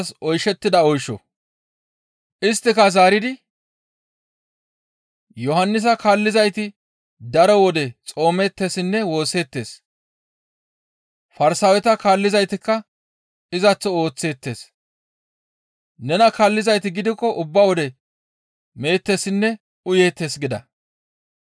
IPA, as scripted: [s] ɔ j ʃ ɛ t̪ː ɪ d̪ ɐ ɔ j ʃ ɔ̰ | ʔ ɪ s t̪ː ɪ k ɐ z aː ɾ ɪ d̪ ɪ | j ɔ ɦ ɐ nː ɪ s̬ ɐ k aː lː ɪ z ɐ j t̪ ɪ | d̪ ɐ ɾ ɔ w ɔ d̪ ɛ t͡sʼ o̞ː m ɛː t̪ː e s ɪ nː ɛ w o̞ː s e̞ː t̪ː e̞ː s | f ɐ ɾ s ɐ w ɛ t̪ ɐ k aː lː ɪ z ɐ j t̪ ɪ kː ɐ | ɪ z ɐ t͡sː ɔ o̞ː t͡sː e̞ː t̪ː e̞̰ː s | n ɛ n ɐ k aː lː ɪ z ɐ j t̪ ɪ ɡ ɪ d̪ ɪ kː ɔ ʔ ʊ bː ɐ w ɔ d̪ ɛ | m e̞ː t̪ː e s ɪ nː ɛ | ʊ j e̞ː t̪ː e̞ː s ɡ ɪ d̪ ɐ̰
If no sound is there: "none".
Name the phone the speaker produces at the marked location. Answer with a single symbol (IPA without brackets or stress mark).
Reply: s